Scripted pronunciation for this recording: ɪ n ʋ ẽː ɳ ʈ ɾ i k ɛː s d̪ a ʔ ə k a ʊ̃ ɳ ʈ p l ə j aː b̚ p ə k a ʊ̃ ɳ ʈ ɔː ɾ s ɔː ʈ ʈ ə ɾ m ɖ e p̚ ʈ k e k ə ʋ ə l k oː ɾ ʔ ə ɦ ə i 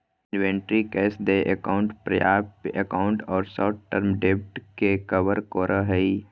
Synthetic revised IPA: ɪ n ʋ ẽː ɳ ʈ ɾ i k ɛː s d̪ e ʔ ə k a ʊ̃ ɳ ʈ p ɾ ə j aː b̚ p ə k a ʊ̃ ɳ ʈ ɔː ɾ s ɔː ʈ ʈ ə ɾ m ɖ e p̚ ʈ k e k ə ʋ ə ɾ k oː ɾ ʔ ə ɦ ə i